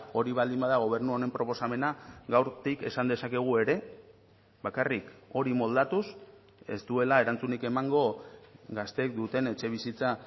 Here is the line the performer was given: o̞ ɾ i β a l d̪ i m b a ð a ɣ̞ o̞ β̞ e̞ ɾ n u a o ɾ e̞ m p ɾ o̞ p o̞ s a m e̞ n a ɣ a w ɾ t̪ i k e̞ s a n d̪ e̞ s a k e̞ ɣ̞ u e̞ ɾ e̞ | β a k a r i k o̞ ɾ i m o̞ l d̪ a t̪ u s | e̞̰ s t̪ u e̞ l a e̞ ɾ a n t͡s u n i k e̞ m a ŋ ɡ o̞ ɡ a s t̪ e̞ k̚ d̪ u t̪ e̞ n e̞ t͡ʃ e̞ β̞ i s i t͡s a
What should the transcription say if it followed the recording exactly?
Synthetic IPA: o̞ ɾ i β a l d̪ i m b a ð a ɣ̞ o̞ β̞ e̞ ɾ n u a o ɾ e̞ m p ɾ o̞ p o̞ s a m e̞ n a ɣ a w ɾ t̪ i k e̞ s a n d̪ e̞ s a k e̞ ɣ̞ u e̞ ɾ e̞ | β a k a r i k o̞ ɾ i m o̞ l d̪ a t̪ u s | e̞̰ s t̪ u e̞ l a e̞ ɾ a n t͡s u n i k e̞ m a ŋ ɡ o̞ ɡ a s t̪ e̞ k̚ d̪ u t̪ e̞ n e̞ t͡ʃ e̞ β̞ i s i t͡s a